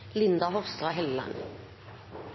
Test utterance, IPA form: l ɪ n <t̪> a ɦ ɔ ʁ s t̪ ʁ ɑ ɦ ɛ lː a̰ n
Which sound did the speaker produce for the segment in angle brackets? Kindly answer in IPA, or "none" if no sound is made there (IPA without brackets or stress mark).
d̪